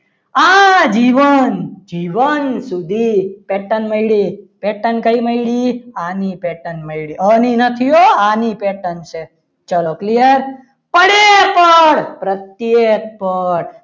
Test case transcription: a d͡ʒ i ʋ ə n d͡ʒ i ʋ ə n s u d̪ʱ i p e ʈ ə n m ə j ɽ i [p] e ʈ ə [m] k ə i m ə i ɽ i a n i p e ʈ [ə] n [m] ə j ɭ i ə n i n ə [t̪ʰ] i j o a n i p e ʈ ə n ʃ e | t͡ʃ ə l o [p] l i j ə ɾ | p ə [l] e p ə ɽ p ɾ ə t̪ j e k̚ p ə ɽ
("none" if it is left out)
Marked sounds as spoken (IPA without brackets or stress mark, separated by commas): p, n, ə, m, t̪ʰ, k, ɽ